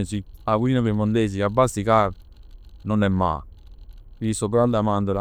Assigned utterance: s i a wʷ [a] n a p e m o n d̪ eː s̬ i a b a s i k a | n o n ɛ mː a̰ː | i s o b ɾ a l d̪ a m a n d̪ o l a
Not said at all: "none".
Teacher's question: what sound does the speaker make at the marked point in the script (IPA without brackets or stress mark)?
i